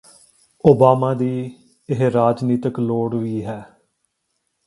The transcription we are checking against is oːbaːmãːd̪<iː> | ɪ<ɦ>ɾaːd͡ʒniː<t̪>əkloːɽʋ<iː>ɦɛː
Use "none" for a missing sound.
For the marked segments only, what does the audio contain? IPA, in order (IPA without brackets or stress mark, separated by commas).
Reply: iː, ɦ, t̪, iː